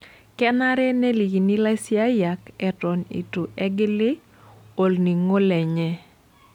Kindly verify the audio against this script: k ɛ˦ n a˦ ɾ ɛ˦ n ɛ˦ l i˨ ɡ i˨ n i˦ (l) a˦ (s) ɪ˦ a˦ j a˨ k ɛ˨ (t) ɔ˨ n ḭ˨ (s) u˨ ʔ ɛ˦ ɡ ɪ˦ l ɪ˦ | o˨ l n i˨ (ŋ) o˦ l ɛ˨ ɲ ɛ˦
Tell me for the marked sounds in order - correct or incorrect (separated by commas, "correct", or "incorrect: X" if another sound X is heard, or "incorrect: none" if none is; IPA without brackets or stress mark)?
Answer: correct, correct, correct, incorrect: t, correct